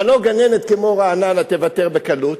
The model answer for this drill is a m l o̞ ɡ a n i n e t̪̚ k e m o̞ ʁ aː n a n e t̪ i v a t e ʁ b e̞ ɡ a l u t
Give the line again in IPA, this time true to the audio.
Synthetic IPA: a l o̞ ɡ a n e n e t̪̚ k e m o̞ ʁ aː n a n a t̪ e v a t e ʁ b e̞ k a l u t

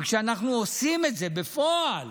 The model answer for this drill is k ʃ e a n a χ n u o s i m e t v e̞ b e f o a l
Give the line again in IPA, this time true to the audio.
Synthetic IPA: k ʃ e a n a χ n u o s i m e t z e̞ b e f o a l

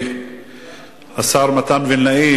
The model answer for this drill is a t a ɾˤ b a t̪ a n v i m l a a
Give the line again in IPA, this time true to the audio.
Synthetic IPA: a s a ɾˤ m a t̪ a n v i n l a i

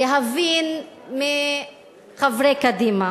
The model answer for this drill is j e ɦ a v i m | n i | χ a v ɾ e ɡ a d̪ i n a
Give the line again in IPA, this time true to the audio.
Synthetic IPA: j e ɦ a v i n | m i | χ a v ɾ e k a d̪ i m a

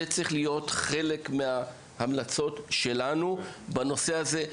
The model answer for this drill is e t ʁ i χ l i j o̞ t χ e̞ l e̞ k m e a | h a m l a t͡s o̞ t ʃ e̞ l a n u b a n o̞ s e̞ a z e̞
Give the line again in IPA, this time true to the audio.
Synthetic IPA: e t͡s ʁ i χ l i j o̞ t χ e̞ l e̞ k m e a | h a m l a t͡s o̞ t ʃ e̞ l a n u b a n o̞ s e̞ a z e̞

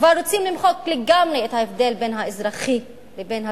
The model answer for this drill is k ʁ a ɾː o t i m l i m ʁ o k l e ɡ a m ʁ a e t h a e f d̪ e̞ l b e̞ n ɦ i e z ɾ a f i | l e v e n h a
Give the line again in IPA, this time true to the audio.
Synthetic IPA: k v a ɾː o t͡s i m l i m χ o k l e ɡ a m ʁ e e t h a e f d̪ e̞ l b e̞ n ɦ a e z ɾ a χ i | l e b e n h a

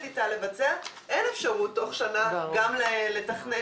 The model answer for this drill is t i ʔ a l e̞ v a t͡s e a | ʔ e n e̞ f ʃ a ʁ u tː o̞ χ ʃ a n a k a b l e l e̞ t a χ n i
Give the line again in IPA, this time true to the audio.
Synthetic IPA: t i t a l e̞ v a t͡s e a | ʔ e n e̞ f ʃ a ʁ u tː o̞ χ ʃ a n a ɡ a m l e l e̞ t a χ n e

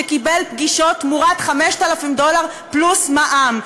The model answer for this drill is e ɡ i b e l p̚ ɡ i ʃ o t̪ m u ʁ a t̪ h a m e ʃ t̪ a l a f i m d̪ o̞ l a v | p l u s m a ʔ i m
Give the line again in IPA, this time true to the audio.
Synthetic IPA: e k i b e l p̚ ɡ i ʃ o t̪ m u ʁ a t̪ χ a m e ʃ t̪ a l a f i m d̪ o̞ l a ʁ | p l u s m a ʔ a m

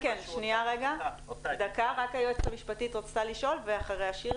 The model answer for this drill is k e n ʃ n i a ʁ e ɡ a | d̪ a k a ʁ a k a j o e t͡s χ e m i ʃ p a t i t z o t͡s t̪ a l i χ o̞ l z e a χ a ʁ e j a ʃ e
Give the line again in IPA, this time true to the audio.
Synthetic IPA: k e n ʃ n i a ʁ e ɡ a | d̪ a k a ʁ a k a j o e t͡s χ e m i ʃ p a t i t ʁ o t͡s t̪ a l i ʃ o̞ l v e a χ a ʁ e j a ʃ i

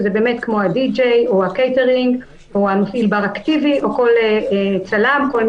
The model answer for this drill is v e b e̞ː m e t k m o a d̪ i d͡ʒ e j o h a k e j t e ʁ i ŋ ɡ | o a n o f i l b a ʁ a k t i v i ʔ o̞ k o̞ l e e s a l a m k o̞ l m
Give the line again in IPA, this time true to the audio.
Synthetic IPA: z e b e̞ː m e t k m o a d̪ i d͡ʒ e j o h a k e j t e ʁ i ŋ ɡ | o a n o f i l b a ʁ a k t i v i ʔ o̞ k o̞ l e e t͡s a l a m k o̞ l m

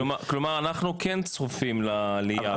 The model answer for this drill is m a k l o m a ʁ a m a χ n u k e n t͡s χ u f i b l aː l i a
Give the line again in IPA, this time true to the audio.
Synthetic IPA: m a k l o m a ʁ a n a χ n u k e n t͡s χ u f i m l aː l i a

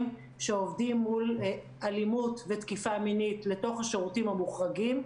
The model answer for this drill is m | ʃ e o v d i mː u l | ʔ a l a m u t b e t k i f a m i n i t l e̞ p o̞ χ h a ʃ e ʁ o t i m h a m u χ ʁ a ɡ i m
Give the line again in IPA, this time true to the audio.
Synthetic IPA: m | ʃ e o v d i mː u l | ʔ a l i m u t v e t k i f a m i n i t l e̞ t o̞ χ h a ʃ e ʁ u t i m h a m u χ ʁ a ɡ i m

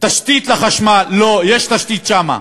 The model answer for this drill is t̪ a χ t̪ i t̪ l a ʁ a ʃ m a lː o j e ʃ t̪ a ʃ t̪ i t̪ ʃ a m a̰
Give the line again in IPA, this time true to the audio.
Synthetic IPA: t̪ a ʃ t̪ i t̪ l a χ a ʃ m a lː o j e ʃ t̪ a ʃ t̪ i t̪ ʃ a m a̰

